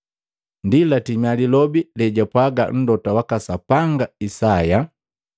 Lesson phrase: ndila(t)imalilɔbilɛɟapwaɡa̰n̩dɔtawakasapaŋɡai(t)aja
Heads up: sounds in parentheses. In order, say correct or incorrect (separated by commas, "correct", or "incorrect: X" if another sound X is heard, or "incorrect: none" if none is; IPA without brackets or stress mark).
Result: correct, incorrect: s